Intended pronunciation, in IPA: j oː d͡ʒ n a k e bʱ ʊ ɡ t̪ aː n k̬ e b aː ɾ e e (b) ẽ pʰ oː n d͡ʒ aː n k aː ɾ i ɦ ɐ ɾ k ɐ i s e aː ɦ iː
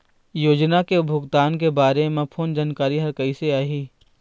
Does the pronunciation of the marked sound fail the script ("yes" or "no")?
yes